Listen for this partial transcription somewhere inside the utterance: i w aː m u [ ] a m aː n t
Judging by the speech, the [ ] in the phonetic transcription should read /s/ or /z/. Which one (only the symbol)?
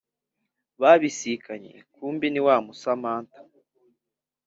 s